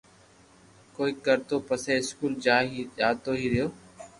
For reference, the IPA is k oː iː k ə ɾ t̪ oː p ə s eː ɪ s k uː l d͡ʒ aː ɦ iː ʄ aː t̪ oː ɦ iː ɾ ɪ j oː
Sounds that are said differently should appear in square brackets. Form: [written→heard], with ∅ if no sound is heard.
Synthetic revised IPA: k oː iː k ə ɾ t̪ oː p ə s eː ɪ s k uː l d͡ʒ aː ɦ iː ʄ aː t̪ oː ɦ iː ɾ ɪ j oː